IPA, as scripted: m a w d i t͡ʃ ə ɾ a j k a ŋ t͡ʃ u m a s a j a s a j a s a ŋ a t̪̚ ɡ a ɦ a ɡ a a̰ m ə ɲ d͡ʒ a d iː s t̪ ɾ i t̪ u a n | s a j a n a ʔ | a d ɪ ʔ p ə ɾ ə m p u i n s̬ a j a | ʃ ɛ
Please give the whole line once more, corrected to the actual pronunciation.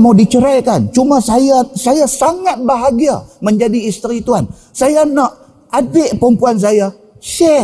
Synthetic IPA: m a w d i t͡ʃ ə ɾ a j k a n t͡ʃ u m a s a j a s a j a s a ŋ a t̪̚ b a ɦ a ɡ i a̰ m ə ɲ d͡ʒ a d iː s t̪ ɾ i t̪ u a n | s a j a n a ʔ | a d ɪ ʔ p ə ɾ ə m p u a n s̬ a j a | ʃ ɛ